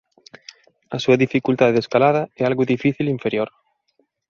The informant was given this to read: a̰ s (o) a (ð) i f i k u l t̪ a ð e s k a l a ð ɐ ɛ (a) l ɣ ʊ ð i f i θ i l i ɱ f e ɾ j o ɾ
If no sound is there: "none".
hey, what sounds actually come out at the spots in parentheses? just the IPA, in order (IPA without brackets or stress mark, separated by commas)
u, ð, a